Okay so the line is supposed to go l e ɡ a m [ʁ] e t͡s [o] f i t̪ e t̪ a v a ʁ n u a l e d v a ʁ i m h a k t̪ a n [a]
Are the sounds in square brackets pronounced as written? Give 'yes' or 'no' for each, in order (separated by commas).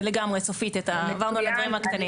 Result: yes, yes, no